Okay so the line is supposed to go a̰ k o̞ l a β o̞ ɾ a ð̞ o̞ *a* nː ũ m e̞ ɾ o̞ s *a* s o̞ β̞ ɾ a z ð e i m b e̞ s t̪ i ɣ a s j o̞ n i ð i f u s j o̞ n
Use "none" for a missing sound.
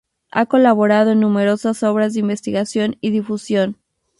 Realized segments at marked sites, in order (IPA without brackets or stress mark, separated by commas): e, a